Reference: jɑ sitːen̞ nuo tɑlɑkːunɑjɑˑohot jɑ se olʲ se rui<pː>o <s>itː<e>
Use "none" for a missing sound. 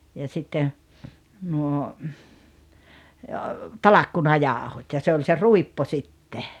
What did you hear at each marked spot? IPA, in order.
pː, s, e

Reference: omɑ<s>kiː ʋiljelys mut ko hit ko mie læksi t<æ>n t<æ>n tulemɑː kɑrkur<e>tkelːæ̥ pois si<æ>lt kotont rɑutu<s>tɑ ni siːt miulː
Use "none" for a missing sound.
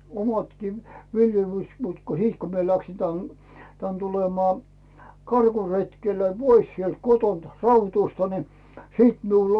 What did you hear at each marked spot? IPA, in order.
t, æ, æ, e, e, s

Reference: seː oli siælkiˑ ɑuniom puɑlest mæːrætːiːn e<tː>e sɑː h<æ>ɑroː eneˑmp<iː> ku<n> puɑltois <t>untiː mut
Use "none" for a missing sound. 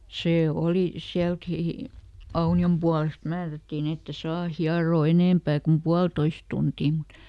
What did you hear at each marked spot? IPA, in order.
tː, i, æː, m, t

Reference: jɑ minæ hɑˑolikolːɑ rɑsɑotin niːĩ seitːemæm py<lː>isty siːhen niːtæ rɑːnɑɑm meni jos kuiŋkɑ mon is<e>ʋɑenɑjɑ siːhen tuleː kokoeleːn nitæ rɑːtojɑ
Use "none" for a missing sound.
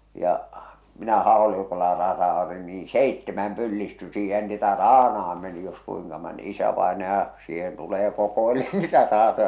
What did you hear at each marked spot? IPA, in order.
lː, æ

